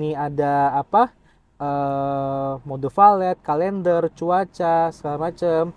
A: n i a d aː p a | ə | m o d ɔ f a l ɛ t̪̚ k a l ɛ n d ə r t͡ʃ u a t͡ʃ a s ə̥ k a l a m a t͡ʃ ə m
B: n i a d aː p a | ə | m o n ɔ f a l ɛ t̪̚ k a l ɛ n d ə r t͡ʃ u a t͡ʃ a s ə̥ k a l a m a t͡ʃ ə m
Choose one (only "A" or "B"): A